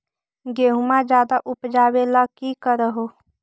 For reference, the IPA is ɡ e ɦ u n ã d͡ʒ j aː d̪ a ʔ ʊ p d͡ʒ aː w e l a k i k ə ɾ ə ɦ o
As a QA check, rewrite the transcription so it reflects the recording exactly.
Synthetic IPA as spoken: ɡ e ɦ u m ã d͡ʒ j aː d̪ a ʔ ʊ p d͡ʒ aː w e l a k i k ə ɾ ə ɦ o